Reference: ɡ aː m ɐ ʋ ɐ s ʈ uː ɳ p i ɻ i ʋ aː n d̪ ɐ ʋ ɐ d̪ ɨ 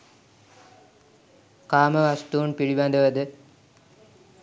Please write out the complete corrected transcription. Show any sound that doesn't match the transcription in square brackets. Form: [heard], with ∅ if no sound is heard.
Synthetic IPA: [k] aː m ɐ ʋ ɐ s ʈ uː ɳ p i ɻ i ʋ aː n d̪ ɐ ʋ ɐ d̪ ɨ